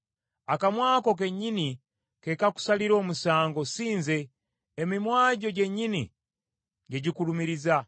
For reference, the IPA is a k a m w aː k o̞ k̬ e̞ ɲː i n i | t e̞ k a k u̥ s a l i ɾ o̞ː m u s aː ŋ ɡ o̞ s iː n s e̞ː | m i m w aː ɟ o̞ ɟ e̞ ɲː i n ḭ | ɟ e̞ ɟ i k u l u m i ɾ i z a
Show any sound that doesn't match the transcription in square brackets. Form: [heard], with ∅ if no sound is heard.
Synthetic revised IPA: a k a m w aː k o̞ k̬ e̞ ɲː i n i | [k] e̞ k a k u̥ s a l i ɾ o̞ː m u s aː ŋ ɡ o̞ s iː n [z] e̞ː | m i m w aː ɟ o̞ ɟ e̞ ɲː i n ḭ | ɟ e̞ ɟ i k u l u m i ɾ i z a